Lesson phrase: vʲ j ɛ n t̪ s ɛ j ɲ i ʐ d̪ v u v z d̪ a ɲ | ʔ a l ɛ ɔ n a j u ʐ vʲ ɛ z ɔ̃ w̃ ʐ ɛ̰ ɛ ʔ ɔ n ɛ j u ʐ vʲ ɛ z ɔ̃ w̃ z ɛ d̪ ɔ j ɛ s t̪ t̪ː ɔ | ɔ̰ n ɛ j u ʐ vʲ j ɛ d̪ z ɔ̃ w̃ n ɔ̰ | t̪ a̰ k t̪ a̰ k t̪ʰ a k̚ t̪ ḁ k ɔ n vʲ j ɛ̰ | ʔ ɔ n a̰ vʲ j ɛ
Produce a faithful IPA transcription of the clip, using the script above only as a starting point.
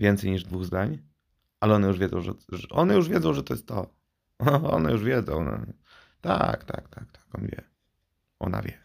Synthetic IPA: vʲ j ɛ n t̪ s ɛ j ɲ i ʐ d̪ v u ɣ z d̪ a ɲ | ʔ a l ɛ ɔ n ɛ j u ʐ vʲ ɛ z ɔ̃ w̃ ʐ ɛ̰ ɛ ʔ ɔ n ɛ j u ʐ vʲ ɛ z ɔ̃ w̃ ʐ ɛ t̪ ɔ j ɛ s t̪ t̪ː ɔ | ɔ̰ n ɛ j u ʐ vʲ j ɛ d̪ z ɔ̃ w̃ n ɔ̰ | t̪ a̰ k t̪ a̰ k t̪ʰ a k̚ t̪ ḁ k ɔ n vʲ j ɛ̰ | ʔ ɔ n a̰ vʲ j ɛ